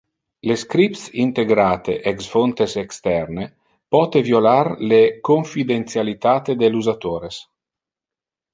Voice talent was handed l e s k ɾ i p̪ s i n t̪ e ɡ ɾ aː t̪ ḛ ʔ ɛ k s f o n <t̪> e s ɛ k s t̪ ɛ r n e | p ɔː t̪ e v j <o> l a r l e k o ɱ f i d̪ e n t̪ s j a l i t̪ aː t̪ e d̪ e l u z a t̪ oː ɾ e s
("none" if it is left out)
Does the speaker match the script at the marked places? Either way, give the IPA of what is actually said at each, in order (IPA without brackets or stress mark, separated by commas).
t̪, o